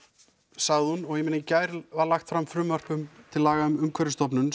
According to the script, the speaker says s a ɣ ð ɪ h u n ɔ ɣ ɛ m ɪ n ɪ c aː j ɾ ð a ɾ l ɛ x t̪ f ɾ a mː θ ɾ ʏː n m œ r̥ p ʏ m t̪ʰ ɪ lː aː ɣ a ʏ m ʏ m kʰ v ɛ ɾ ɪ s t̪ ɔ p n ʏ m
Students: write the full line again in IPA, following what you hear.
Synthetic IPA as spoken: s a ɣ ð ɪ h u n ɔ ɣ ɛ m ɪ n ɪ c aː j ɾ v a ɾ l a x t̪ f ɾ a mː f ɾ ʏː m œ r̥ p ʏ m t̪ʰ ɪ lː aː ɣ a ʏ m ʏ m kʰ v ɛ ɾ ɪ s t̪ ɔ p n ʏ n